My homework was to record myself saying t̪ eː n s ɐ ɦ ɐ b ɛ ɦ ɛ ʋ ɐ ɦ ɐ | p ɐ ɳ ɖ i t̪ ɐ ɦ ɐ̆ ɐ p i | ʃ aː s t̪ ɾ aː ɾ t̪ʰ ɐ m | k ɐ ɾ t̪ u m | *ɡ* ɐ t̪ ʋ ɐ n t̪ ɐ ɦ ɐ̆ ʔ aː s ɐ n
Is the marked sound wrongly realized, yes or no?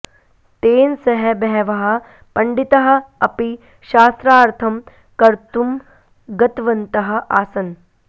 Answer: no